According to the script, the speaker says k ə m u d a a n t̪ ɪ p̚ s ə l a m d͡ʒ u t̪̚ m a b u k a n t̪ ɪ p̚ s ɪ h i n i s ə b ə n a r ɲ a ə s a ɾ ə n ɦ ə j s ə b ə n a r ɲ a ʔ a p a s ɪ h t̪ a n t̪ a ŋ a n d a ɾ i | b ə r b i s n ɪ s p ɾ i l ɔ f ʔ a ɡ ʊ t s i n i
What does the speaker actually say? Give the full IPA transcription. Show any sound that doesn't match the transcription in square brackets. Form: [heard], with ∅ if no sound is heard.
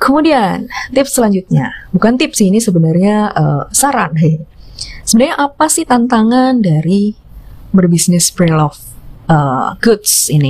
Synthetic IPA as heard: k ə m u d [i] a n t̪ ɪ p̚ s ə l a [ɲ] d͡ʒ u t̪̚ [ɲ] a b u k a n t̪ ɪ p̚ s ɪ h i n i s ə b ə n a r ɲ a ə s a ɾ [a] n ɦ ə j s ə b ə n a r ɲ a ʔ a p a s ɪ h t̪ a n t̪ a ŋ a n d a ɾ i | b ə r b i s n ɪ s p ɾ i l ɔ f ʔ [ə] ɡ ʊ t s i n i